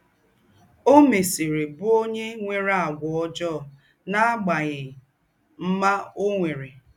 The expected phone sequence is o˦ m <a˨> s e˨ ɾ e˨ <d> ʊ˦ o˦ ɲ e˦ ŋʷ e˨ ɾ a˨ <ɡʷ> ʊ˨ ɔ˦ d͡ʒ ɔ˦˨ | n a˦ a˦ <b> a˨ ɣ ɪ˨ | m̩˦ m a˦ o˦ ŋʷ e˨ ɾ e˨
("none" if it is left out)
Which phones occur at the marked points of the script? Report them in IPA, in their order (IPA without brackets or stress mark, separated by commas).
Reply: e˨, b, ɡʷ, ɡ͡b